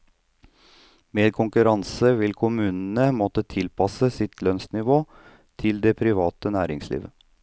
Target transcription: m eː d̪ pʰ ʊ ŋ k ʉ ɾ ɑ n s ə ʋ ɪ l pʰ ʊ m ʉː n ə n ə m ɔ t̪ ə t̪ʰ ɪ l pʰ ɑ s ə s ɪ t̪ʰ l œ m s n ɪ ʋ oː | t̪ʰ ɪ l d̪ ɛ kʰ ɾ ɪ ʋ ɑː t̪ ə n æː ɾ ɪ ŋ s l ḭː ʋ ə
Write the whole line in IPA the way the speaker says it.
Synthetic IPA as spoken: m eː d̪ kʰ ʊ ŋ k ʉ ɾ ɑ n s ə ʋ ɪ l kʰ ʊ m ʉː n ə n ə m ɔ t̪ ə t̪ʰ ɪ l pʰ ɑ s ə s ɪ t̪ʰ l œ n s n ɪ ʋ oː | t̪ʰ ɪ l d̪ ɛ pʰ ɾ ɪ ʋ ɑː t̪ ə n æː ɾ ɪ ŋ s l ḭː ʋ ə

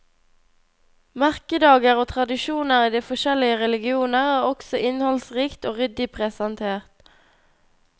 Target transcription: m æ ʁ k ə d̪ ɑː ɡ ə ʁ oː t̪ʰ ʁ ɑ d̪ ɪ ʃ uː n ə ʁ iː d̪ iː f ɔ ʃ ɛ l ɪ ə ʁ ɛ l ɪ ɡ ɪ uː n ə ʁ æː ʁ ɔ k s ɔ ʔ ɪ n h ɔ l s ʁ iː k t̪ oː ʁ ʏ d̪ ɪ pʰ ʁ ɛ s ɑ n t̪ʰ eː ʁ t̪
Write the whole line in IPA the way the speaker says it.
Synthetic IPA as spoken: m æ ʁ k ə d̪ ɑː ɡ ə ʁ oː t̪ʰ ʁ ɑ d̪ ɪ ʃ uː n ə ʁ iː d̪ iː f ɔ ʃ ɛ l ɪ ə ʁ ɛ l ɪ ɡ ɪ uː n ə ʁ æː ʁ ɔ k s ɔ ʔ ɪ n h ɔ l s ʁ iː k t̪ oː ʁ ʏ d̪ ɪ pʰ ʁ ɛ s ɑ n t̪ʰ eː ʁ t̪

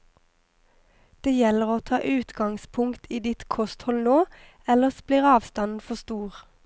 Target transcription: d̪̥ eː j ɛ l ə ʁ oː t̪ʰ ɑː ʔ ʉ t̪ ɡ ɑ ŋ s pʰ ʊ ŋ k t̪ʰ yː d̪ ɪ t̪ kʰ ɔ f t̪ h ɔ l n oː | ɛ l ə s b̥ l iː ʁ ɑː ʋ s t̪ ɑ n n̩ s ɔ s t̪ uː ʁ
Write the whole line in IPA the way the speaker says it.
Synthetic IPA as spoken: d̪̥ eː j ɛ l ə ʁ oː t̪ʰ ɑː ʔ ʉː t̪ ɡ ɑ ŋ s pʰ ʊ ŋ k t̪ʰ iː d̪ ɪ t̪ kʰ ɔ s t̪ h ɔ l n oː | ɛ l ə s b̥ l iː ʁ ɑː ʋ s t̪ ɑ n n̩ f ɔ s t̪ uː ʁ

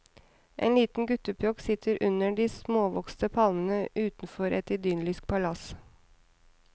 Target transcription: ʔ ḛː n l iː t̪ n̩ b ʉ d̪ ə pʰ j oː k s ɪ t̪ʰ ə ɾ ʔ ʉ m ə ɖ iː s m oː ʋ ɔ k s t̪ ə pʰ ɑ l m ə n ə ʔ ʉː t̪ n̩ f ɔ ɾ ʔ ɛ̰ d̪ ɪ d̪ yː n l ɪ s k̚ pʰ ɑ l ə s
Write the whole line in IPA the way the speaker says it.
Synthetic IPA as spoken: ʔ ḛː n l iː t̪ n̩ ɡ ʉ t̪ ə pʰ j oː k s ɪ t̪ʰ ə ɾ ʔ ʉ n ə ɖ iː s m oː ʋ ɔ k s t̪ ə pʰ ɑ l m ə n ə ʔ ʉː t̪ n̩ f ɔ ɾ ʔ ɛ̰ t̪ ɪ d̪ yː n l ɪ s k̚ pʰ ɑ l ɑ s

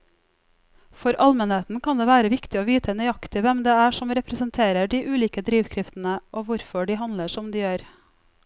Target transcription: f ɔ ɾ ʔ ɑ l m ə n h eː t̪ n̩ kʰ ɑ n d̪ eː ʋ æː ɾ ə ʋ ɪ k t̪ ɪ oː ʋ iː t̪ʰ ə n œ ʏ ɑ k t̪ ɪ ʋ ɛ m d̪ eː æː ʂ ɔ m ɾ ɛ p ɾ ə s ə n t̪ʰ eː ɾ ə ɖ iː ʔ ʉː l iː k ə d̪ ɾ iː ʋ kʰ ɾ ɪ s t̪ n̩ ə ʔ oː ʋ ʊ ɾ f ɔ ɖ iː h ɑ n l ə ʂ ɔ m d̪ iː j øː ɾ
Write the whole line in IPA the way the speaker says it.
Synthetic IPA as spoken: f ɔ ɾ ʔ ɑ l m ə n h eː t̪ n̩ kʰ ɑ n d̪ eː ʋ æː ɾ ə ʋ ɪ k t̪ ɪ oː ʋ iː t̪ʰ ə n œ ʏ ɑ k t̪ ɪ ʋ ɛ m d̪ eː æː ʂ ɔ m ɾ ɛ p ɾ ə s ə n t̪ʰ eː ɾ ə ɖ iː ʔ ʉː l iː k ə d̪ ɾ iː ʋ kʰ ɾ ɪ f t̪ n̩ ə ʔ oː ʋ ʊ ɾ f ɔ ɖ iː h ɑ n l ə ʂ ɔ m d̪ iː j øː ɾ

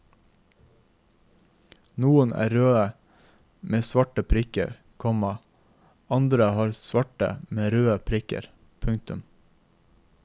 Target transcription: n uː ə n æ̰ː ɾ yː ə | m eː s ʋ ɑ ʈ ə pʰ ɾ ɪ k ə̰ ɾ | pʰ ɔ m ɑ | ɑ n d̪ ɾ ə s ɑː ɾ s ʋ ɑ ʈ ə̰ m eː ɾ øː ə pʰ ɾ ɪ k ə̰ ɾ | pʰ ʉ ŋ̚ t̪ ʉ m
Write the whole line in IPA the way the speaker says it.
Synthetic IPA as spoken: n uː ə n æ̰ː ɾ øː ə | m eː s ʋ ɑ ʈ ə pʰ ɾ ɪ k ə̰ ɾ | kʰ ɔ m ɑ | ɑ n d̪ ɾ ə h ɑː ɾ s ʋ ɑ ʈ ə̰ m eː ɾ øː ə pʰ ɾ ɪ k ə̰ ɾ | pʰ ʉ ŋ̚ t̪ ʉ m

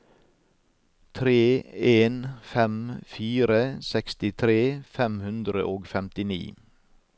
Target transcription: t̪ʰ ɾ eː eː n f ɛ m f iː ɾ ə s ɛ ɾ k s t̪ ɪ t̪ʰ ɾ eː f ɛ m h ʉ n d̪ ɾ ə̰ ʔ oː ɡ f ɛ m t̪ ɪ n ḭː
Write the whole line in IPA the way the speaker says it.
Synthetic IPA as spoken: t̪ʰ ɾ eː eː n f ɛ m f iː ɾ ə s ɛ k s t̪ ɪ t̪ʰ ɾ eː f ɛ m h ʉ n d̪ ɾ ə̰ ʔ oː ɡ f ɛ m t̪ ɪ n ḭː

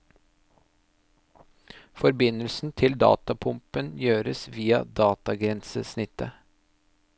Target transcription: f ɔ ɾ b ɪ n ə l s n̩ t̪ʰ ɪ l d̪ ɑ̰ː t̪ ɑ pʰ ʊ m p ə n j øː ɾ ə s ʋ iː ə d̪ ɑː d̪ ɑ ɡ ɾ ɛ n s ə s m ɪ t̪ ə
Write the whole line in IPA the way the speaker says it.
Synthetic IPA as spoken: f ɔ ɾ b ɪ n ə l s n̩ t̪ʰ ɪ l d̪ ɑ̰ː t̪ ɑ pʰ ʊ m p ə n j øː ɾ ə s ʋ iː ɑ d̪ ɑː t̪ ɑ ɡ ɾ ɛ n s ə s n ɪ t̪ ə

